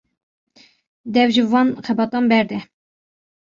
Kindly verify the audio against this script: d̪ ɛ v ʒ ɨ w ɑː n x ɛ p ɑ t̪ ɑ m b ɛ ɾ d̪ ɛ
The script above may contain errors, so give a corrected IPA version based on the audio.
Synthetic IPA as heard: d̪ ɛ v ʒ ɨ v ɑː n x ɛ b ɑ t̪ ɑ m b ɛ ɾ d̪ ɛ

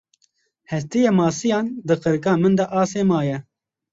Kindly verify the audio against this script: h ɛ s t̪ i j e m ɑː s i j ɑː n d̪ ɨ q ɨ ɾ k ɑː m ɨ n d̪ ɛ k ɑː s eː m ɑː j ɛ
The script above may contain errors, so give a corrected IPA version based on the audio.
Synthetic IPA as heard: h ɛ s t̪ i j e m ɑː s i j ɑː n d̪ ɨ q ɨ ɾ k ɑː m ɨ n d̪ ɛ ʔ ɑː s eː m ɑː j ɛ

